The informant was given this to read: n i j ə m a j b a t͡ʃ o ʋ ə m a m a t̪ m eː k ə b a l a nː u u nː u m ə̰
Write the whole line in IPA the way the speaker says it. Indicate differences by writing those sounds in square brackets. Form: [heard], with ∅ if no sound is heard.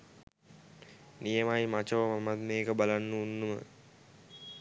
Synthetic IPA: n i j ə m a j [m] a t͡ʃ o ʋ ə m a m a t̪ m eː k ə b a l a nː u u nː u m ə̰